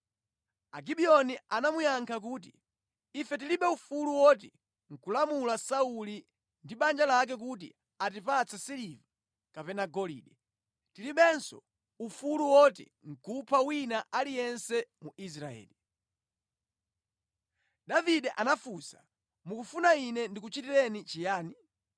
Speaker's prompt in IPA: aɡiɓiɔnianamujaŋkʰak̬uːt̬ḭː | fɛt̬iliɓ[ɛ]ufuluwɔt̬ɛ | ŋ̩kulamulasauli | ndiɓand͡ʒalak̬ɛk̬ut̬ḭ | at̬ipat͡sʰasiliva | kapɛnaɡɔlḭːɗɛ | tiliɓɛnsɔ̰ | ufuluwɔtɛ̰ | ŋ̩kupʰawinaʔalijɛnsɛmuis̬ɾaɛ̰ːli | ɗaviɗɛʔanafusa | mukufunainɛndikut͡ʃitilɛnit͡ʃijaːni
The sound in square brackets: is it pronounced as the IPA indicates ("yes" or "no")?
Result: yes